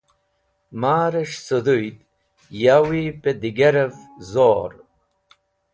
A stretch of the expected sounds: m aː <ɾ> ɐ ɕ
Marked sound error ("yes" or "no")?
no